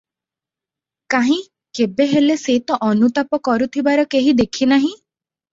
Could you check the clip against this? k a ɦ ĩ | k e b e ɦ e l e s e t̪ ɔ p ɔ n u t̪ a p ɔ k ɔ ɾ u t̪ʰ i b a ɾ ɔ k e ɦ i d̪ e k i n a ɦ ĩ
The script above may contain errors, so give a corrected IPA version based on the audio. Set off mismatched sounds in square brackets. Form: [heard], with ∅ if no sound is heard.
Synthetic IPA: k a ɦ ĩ | k e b e ɦ e l e s e t̪ ɔ [ʔ] ɔ n u t̪ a p ɔ k ɔ ɾ u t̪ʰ i b a ɾ ɔ k e ɦ i d̪ e [kʰ] i n a ɦ ĩ